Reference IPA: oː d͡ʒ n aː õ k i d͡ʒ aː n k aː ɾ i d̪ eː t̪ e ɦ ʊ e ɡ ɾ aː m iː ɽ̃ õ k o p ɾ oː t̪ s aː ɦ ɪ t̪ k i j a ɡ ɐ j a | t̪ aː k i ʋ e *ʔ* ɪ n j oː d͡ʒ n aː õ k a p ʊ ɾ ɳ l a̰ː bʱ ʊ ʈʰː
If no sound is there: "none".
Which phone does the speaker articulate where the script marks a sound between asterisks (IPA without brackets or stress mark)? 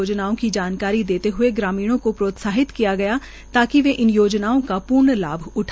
ʔ